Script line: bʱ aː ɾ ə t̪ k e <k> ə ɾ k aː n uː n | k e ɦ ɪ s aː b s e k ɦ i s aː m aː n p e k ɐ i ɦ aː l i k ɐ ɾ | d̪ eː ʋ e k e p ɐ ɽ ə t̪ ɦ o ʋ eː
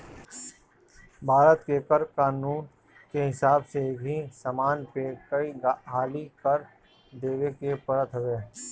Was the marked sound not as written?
no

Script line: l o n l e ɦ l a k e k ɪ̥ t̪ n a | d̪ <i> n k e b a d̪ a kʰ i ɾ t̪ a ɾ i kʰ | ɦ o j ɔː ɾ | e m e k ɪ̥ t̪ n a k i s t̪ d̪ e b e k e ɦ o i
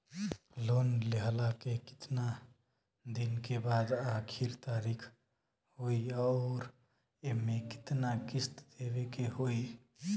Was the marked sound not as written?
no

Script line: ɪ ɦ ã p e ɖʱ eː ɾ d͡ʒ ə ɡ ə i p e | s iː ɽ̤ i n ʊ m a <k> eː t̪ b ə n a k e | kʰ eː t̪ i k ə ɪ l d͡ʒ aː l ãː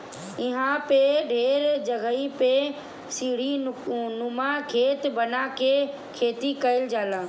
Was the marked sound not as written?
yes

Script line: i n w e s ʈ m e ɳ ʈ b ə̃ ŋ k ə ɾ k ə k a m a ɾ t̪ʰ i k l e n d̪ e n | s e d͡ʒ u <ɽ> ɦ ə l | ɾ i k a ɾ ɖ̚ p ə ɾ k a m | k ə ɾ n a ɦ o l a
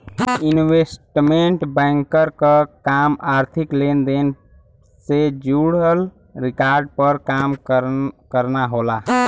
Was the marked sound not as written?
no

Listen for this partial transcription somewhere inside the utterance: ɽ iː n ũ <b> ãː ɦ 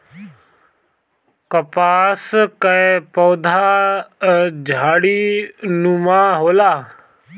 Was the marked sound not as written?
yes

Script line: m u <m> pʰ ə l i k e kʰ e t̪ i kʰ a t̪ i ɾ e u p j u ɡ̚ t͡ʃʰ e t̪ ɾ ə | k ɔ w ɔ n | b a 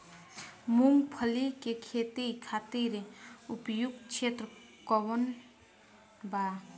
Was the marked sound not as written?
yes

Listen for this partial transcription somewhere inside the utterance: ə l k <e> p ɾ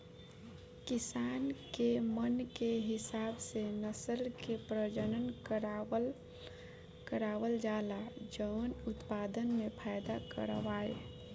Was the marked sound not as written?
no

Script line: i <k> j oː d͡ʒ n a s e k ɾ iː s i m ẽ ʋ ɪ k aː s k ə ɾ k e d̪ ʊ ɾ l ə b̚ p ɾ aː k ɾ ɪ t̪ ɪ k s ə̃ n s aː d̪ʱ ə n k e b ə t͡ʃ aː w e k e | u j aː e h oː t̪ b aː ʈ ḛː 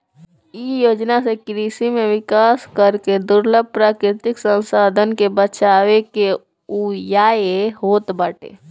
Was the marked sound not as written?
yes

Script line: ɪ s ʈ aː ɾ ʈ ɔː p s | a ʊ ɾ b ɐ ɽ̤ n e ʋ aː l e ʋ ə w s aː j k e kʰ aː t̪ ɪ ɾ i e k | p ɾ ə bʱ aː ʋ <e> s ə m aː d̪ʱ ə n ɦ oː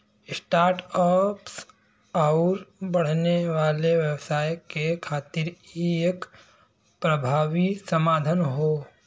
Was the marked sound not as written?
yes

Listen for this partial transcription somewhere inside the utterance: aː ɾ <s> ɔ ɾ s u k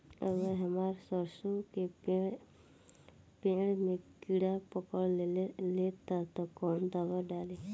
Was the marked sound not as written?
no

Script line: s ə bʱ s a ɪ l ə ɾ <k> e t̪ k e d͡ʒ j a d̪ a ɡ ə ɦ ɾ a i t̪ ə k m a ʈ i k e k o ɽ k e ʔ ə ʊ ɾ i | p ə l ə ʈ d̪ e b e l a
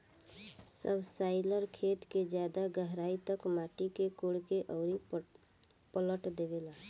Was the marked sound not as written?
yes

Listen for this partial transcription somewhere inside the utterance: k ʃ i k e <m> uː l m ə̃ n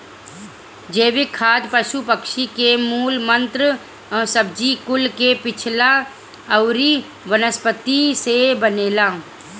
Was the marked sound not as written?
no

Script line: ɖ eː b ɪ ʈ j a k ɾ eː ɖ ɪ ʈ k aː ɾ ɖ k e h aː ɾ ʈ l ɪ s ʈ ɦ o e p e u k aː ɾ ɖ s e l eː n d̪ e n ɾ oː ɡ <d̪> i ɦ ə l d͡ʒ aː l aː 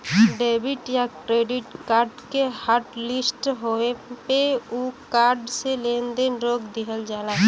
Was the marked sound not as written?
no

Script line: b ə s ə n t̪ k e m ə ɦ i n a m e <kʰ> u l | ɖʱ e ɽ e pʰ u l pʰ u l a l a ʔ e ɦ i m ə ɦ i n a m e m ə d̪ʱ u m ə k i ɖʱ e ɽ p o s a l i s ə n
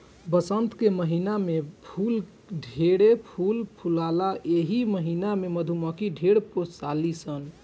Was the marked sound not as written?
yes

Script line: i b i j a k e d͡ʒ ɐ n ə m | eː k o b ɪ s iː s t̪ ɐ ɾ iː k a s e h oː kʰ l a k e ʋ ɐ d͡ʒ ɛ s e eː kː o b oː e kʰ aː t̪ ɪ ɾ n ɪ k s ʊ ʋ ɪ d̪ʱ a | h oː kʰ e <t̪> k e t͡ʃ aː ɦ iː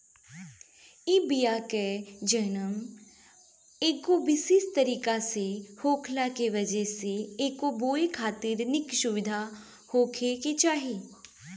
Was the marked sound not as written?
yes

